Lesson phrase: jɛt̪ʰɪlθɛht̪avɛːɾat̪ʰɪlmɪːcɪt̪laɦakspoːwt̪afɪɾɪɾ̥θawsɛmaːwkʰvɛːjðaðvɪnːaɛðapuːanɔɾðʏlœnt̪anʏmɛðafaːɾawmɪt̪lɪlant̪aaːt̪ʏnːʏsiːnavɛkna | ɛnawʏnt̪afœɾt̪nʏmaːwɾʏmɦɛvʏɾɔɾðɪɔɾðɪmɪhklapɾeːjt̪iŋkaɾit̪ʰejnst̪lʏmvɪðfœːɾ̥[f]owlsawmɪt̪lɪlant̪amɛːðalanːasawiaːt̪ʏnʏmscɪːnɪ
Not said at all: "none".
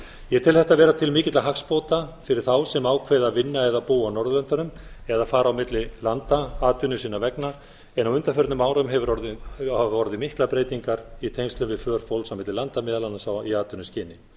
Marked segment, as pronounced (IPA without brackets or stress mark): f